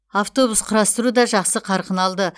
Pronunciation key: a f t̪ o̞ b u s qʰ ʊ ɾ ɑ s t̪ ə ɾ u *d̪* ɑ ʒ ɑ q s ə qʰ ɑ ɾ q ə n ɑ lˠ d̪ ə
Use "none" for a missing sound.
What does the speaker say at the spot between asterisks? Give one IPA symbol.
d̪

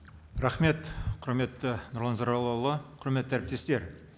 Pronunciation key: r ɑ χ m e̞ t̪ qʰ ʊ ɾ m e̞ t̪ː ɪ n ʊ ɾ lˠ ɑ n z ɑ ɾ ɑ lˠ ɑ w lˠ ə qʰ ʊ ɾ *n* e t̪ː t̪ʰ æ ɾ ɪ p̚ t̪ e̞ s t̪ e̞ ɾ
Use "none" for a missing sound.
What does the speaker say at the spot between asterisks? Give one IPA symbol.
m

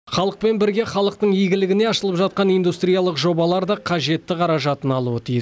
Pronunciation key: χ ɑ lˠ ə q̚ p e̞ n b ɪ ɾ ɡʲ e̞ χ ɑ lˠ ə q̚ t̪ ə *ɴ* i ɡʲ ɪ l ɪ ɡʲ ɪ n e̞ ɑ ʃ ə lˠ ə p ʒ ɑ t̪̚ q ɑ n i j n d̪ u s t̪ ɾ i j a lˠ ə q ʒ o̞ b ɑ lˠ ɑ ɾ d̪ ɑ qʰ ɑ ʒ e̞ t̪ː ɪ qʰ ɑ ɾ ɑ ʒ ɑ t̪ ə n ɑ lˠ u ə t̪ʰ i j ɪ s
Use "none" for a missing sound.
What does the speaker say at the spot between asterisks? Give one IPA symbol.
ɴ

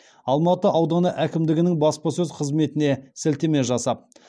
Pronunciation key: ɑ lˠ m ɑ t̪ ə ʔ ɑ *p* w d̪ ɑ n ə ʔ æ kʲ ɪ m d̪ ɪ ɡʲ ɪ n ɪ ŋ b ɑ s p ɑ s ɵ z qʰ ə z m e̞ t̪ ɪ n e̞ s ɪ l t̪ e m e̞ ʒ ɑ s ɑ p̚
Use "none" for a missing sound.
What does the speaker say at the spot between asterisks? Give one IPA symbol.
none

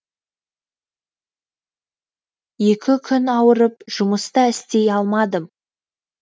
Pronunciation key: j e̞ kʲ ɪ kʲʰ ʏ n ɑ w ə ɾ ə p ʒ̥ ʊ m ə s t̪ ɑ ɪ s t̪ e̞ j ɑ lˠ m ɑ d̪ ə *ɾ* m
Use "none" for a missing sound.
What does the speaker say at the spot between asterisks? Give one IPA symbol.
none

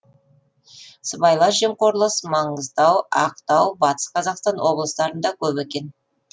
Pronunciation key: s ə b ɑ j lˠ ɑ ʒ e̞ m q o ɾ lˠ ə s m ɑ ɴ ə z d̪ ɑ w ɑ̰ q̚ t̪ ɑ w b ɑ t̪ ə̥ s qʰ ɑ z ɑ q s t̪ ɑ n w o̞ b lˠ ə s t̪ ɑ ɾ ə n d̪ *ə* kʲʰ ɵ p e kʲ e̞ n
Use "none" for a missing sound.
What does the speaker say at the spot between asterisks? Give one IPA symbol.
ɑ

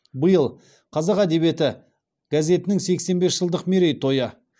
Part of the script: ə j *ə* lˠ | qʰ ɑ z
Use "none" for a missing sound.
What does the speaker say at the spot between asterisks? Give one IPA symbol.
ə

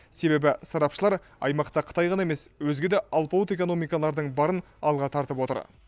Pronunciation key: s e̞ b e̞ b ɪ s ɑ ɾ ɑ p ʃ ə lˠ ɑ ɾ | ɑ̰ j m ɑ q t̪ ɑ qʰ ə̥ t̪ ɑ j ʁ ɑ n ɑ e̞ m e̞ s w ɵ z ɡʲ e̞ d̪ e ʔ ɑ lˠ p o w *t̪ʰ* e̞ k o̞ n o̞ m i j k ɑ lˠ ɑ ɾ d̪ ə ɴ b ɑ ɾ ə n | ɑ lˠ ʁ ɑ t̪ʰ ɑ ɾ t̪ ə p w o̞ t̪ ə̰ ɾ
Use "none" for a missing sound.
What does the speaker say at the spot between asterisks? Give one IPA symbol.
t̪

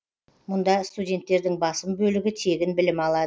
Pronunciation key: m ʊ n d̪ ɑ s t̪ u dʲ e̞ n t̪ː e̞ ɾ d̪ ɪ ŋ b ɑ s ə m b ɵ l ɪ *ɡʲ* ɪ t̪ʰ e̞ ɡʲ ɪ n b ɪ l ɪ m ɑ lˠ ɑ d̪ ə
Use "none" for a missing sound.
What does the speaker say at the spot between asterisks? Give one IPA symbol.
ɡʲ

